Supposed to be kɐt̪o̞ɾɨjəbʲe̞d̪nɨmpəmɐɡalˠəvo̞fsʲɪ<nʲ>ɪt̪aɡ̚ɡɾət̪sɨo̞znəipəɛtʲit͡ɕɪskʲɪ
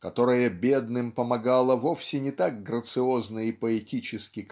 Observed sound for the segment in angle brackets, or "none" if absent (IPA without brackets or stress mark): nʲ